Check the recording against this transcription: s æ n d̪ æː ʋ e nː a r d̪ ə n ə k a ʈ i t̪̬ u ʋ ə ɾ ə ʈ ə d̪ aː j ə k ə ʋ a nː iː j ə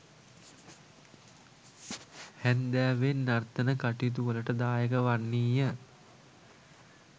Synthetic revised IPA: h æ n d̪ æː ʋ e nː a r t̪ ə n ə k a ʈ i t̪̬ u ʋ ə l ə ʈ ə d̪ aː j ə k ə ʋ a nː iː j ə